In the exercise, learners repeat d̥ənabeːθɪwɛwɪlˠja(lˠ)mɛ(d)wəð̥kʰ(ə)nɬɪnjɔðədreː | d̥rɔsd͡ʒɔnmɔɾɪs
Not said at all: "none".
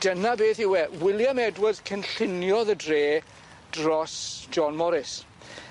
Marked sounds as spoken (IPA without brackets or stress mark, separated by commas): none, d, ə